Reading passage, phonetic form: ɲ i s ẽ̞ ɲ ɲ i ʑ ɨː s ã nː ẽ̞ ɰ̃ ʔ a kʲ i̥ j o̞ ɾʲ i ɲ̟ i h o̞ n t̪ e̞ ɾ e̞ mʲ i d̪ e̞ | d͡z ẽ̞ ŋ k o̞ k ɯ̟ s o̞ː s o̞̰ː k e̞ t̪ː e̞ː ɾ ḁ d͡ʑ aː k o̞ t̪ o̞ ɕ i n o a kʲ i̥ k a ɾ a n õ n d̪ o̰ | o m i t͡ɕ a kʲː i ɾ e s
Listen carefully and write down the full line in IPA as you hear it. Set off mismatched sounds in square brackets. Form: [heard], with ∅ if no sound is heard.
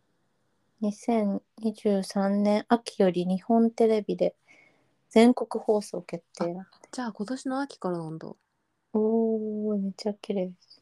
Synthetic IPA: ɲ i s ẽ̞ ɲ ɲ i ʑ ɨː s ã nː ẽ̞ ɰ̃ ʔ a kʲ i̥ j o̞ ɾʲ i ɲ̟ i h [õ̞] n t̪ e̞ ɾ e̞ [bʲ] i d̪ e̞ | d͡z ẽ̞ ŋ k o̞ k ɯ̟ [h] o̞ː s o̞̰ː k e̞ t̪ː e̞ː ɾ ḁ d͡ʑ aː k o̞ t̪ o̞ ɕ i n o a kʲ i̥ k a ɾ a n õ n d̪ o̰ | o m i t͡ɕ a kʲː i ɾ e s